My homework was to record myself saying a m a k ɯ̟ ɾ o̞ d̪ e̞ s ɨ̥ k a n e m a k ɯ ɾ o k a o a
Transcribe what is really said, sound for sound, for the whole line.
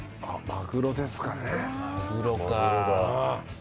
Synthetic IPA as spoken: a m a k ɯ̟ ɾ o̞ d̪ e̞ s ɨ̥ k a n e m a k ɯ ɾ o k a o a